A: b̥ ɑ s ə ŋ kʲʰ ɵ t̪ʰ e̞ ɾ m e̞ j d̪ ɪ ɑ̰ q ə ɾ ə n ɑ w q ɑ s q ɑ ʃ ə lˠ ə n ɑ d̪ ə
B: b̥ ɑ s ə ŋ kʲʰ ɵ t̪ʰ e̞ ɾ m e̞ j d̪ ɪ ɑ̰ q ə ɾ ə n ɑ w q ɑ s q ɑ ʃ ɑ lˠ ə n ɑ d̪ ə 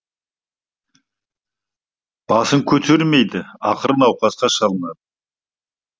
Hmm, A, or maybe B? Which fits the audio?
B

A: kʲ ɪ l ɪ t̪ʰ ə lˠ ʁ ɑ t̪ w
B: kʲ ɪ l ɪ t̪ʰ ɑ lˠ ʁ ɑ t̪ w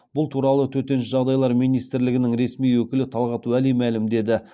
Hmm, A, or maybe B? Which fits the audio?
B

